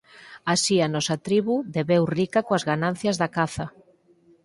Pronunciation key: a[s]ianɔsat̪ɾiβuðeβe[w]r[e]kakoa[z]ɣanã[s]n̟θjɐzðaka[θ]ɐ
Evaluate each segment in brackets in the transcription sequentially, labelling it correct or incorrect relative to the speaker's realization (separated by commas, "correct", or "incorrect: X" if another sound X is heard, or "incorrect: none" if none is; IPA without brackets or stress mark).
correct, correct, incorrect: i, correct, incorrect: none, correct